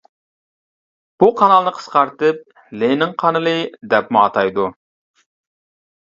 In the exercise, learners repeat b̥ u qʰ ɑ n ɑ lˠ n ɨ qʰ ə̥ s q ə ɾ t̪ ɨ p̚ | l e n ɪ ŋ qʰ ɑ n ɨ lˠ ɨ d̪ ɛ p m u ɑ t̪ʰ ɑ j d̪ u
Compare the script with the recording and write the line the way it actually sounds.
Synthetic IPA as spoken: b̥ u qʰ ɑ n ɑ lˠ n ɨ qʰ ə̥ s q ɑ ɾ t̪ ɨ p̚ | l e n ɪ ŋ qʰ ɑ n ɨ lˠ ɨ d̪ ɛ p m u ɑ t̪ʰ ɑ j d̪ u